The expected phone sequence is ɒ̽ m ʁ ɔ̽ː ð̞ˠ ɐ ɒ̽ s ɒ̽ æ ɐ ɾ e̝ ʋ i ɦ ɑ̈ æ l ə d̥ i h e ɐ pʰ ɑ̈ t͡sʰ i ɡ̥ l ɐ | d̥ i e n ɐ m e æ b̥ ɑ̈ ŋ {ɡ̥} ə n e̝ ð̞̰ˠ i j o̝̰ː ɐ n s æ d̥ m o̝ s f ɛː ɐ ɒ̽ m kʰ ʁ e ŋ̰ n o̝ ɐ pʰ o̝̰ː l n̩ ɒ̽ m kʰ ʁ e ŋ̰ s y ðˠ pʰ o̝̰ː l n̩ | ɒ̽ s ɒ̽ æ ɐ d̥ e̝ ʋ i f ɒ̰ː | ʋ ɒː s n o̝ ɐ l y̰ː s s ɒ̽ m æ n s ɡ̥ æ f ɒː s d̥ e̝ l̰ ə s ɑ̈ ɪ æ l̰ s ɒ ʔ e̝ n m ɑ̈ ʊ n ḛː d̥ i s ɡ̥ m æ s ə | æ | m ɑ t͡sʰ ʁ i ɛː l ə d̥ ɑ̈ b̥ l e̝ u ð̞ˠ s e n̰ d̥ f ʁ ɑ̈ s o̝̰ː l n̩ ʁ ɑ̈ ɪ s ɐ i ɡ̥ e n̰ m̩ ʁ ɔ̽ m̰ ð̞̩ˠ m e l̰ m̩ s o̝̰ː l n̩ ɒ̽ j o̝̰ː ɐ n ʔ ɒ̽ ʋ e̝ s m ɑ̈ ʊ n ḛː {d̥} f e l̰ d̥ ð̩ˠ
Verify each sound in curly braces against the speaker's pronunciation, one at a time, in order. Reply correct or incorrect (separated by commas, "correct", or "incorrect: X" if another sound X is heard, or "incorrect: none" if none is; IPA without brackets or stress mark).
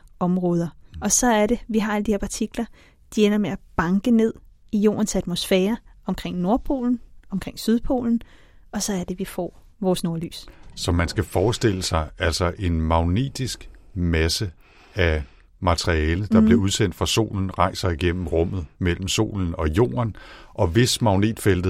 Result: correct, correct